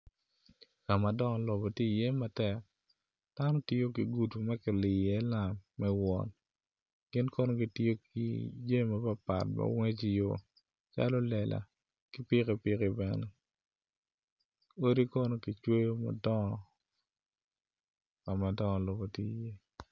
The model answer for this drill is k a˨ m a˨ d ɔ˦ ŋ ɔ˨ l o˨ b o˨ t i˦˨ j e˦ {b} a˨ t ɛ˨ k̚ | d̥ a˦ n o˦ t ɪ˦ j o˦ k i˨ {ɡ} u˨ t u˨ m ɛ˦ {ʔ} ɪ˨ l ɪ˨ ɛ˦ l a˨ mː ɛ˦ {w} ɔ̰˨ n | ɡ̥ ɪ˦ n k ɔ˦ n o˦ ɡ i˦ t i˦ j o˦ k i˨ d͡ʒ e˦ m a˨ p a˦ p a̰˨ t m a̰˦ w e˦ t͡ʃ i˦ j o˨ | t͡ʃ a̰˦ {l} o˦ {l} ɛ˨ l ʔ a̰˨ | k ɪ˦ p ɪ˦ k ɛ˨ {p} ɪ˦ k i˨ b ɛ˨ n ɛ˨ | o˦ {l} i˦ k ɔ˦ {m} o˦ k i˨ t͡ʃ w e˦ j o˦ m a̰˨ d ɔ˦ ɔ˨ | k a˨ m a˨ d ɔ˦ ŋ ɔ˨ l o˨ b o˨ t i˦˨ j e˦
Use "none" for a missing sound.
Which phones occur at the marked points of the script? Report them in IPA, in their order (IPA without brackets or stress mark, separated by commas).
m, ɡ, k, w, l, l, p, ɾ, n